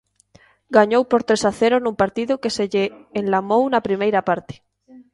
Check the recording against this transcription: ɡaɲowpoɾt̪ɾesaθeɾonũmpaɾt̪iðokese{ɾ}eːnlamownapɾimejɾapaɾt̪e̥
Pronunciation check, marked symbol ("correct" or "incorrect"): incorrect